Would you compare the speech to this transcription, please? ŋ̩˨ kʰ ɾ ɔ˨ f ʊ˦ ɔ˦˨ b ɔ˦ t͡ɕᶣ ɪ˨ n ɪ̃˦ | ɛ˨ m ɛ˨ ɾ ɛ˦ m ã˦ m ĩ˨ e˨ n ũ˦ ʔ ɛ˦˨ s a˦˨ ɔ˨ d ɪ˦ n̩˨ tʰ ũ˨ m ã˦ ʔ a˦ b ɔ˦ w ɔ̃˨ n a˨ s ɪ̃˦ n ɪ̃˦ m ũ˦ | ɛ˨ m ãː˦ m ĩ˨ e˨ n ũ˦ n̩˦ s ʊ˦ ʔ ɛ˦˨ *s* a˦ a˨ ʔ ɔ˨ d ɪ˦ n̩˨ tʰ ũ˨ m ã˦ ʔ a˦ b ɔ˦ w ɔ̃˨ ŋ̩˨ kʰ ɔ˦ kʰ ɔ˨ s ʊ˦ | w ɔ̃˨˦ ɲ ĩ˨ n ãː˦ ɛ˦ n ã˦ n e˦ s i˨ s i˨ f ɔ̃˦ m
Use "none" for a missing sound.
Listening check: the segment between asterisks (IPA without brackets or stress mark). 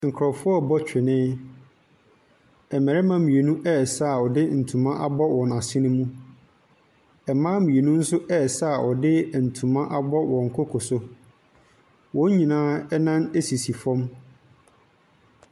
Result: s